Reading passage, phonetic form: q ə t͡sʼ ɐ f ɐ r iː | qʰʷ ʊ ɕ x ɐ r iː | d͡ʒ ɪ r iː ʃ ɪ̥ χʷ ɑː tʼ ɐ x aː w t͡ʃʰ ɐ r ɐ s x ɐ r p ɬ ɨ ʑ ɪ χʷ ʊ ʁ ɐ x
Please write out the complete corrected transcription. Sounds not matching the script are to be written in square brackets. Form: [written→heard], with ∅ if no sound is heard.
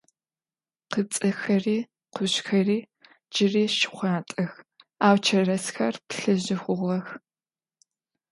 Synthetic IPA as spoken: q ə t͡sʼ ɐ [f→x] ɐ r iː | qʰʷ ʊ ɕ x ɐ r iː | d͡ʒ ɪ r iː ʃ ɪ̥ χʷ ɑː tʼ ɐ x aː w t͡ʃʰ ɐ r ɐ s x ɐ r p ɬ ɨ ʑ ɪ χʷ ʊ ʁ ɐ x